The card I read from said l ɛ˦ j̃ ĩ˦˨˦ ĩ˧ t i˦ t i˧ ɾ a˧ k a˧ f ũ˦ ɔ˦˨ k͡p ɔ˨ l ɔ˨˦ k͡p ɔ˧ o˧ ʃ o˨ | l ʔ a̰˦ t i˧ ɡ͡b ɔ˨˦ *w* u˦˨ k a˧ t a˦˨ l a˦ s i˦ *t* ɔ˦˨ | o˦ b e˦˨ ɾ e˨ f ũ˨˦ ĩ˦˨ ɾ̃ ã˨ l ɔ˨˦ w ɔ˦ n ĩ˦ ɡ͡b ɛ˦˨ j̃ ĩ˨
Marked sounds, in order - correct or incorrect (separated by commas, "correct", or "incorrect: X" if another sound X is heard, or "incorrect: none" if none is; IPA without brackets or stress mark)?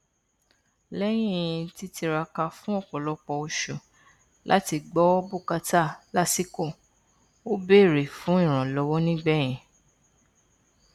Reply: incorrect: b, incorrect: k